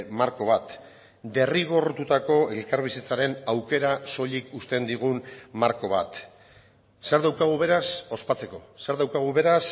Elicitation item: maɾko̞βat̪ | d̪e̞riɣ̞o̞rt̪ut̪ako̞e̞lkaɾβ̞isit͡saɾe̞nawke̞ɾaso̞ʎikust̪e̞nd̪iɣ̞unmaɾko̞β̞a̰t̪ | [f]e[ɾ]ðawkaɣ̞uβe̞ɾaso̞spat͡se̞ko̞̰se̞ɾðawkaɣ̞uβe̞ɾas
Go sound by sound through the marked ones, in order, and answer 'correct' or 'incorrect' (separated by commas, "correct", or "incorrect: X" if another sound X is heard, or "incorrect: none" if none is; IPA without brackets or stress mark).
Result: incorrect: s, correct